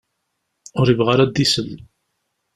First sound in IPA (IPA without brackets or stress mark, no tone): ʊ